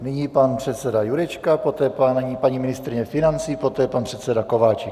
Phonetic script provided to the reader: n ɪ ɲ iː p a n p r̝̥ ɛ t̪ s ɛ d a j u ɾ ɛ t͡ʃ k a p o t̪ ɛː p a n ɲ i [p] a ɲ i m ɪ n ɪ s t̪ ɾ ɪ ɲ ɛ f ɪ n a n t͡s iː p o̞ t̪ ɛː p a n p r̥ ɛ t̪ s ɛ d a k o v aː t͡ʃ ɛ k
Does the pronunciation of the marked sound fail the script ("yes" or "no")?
no